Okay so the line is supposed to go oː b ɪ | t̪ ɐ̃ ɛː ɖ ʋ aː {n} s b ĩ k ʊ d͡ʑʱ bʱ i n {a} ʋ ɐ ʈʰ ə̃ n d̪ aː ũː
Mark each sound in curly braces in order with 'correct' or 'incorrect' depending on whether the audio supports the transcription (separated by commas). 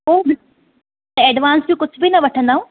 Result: correct, incorrect